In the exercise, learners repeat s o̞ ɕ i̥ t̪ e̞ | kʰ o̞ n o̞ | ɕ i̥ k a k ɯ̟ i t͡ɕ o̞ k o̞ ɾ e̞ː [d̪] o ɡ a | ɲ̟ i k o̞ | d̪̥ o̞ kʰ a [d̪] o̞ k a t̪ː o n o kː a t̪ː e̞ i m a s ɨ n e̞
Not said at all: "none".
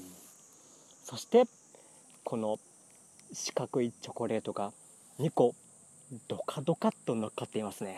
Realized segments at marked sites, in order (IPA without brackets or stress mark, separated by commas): t̪, d̪